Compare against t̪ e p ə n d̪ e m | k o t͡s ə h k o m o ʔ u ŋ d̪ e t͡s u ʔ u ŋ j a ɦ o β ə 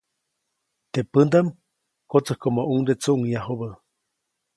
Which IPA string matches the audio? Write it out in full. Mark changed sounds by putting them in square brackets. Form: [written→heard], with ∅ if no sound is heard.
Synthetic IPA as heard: t̪ e p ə n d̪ [e→a] m | k o t͡s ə h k o m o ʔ u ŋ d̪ e t͡s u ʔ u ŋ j a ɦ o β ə